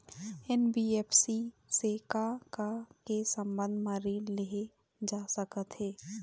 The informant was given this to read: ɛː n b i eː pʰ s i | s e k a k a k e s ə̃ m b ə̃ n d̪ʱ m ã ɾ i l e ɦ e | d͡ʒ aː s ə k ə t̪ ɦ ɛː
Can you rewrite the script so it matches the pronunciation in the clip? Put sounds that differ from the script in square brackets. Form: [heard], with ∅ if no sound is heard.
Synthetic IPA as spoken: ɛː n b i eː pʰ s i | s e k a k a k e s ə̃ m b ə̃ n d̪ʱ m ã ɾ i l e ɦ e | d͡ʒ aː s ə k ə t̪ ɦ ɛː